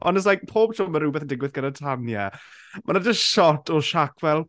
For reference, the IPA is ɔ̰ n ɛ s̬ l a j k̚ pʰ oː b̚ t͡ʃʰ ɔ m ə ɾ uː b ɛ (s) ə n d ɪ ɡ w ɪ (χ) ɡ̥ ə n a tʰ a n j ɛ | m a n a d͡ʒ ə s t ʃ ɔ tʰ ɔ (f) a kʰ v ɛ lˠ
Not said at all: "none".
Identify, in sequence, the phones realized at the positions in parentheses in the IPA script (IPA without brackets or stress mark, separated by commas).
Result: θ, θ, ʃ